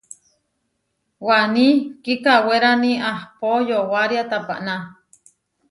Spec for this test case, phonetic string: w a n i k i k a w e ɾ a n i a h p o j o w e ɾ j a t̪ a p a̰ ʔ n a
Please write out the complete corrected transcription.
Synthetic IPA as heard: w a n i k i k a w e ɾ a n i a h p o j o w a ɾ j a t̪ a p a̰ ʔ n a